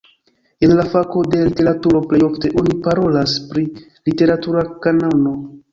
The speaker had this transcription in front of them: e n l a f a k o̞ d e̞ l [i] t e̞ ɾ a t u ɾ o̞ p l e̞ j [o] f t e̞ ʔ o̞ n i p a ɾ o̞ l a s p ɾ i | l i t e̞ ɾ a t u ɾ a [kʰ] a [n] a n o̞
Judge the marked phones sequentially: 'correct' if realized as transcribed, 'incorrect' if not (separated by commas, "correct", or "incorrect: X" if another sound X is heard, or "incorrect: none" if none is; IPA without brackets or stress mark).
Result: correct, correct, incorrect: k, correct